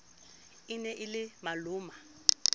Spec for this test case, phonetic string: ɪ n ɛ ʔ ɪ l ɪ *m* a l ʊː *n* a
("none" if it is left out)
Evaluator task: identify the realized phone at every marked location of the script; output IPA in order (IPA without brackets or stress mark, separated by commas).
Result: m, m